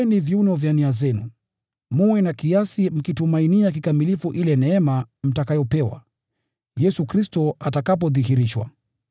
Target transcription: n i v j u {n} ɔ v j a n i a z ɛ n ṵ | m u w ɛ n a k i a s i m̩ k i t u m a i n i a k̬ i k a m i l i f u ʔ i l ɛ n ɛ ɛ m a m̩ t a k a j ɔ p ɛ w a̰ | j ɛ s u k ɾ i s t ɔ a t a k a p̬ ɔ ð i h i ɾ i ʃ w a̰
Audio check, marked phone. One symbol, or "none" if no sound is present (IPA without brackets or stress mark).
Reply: n